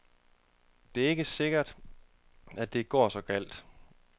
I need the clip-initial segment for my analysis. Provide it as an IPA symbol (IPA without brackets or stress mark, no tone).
d̥